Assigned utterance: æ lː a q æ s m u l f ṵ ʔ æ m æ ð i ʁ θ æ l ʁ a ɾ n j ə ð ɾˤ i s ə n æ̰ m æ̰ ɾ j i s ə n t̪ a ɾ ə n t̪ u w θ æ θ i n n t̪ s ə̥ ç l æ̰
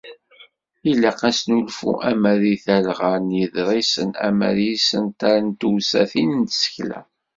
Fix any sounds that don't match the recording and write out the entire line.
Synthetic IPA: i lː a q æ s n u l f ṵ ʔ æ m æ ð i θ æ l ʁ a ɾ n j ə ð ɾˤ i s ə n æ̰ m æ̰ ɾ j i s ə n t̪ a ɾ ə n t̪ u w s æ θ i n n t̪ s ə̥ ç l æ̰